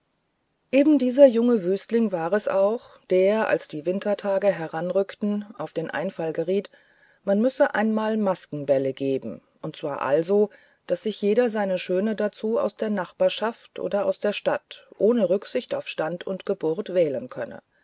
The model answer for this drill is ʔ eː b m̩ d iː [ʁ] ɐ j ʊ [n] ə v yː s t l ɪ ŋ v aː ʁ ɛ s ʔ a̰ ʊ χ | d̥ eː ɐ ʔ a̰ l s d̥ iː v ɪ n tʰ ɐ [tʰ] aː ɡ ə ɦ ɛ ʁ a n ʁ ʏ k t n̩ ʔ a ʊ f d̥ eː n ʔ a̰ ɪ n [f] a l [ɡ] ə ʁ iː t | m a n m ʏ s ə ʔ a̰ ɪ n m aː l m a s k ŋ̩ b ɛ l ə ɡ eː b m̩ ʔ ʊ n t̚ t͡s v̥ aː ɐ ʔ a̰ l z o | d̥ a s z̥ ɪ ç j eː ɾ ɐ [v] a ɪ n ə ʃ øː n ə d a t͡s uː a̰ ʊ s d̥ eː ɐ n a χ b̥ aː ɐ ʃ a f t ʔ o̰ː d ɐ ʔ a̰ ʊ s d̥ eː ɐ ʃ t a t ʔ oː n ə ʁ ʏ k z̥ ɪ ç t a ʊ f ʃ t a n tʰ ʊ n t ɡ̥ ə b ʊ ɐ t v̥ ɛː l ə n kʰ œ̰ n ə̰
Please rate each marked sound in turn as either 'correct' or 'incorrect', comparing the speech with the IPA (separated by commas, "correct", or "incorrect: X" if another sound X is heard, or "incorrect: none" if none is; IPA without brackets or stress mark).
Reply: incorrect: z, incorrect: ŋ, correct, correct, correct, incorrect: z